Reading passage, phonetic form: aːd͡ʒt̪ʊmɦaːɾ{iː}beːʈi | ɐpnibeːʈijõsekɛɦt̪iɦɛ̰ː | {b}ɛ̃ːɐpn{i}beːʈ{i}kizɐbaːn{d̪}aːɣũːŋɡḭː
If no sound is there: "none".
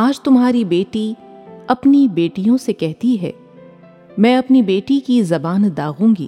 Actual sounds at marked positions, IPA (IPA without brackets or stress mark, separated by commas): i, m, i, i, d̪